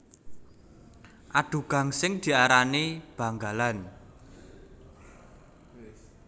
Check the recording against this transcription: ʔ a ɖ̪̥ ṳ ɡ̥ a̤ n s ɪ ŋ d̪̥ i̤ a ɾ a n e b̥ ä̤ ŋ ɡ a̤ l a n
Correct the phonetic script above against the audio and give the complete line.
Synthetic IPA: ʔ a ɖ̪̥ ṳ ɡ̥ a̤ ŋ s ɪ ŋ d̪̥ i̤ a ɾ a n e b̥ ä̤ ŋ ɡ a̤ l a n